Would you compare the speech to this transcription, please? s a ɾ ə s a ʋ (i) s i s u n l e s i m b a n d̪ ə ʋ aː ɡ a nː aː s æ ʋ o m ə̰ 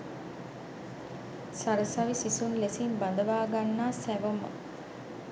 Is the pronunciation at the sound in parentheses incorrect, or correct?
correct